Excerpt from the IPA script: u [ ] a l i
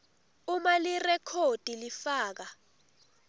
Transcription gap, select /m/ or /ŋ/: m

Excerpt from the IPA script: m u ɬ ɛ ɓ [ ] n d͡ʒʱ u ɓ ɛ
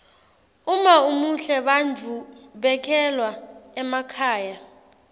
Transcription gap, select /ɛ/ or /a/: a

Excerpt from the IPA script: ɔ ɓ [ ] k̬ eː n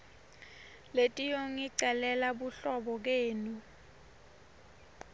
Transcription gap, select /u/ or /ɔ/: ɔ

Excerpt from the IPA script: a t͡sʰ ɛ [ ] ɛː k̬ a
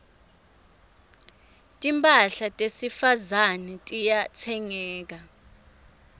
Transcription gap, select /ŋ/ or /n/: ŋ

